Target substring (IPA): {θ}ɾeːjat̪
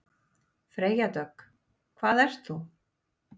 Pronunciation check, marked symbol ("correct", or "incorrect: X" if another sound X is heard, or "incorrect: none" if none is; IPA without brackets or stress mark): incorrect: f